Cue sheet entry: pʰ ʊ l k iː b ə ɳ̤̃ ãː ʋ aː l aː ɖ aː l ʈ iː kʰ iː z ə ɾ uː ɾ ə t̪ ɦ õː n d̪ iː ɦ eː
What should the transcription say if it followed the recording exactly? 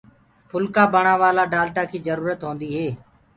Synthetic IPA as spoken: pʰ ʊ l k aː b ə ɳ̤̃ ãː ʋ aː l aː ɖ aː l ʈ aː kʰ iː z ə ɾ uː ɾ ə t̪ ɦ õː n d̪ iː ɦ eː